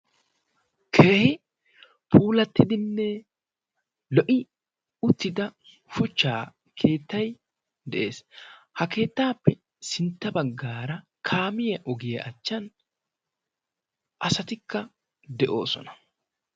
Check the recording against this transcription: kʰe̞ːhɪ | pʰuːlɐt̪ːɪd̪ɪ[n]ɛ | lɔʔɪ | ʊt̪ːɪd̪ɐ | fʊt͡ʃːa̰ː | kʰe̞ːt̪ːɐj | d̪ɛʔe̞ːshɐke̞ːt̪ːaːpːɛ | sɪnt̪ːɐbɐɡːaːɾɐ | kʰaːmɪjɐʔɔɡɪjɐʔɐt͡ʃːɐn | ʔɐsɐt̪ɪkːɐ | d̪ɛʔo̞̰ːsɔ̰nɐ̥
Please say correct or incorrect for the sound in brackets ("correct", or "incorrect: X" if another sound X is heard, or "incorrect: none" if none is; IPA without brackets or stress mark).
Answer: incorrect: nː